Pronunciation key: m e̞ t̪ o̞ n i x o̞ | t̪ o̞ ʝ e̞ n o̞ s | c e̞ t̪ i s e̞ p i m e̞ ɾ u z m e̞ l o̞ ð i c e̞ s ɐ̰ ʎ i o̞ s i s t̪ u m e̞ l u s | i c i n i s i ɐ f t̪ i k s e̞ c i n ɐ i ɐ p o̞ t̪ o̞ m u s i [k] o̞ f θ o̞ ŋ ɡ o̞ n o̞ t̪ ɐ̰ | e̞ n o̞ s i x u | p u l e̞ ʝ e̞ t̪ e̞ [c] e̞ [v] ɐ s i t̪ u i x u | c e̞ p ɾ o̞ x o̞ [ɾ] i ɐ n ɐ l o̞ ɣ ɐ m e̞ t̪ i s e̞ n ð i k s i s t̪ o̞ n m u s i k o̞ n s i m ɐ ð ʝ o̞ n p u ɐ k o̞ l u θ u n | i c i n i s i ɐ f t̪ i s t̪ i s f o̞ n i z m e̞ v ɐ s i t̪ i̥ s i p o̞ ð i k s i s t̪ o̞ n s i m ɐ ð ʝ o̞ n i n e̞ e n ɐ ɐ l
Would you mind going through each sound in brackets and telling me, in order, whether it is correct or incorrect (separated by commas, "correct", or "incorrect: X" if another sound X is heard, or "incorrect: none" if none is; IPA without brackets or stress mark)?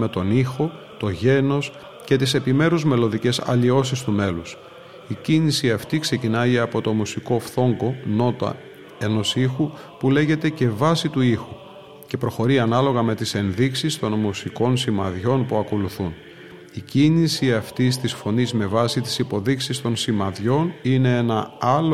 correct, correct, correct, correct